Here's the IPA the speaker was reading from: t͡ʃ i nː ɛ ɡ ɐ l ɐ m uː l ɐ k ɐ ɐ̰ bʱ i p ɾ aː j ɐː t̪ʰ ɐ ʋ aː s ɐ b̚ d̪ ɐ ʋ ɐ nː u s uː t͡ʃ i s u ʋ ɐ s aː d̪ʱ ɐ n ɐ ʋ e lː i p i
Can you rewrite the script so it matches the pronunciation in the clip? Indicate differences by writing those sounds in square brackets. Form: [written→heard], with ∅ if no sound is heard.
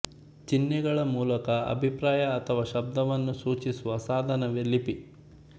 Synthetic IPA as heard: t͡ʃ i nː ɛ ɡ ɐ [l→ɭ] ɐ m uː l ɐ k ɐ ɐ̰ bʱ i p ɾ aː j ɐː t̪ʰ ɐ ʋ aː [s→ʃ] ɐ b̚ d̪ ɐ ʋ ɐ nː u s uː t͡ʃ i s u ʋ ɐ s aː d̪ʱ ɐ n ɐ ʋ e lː i p i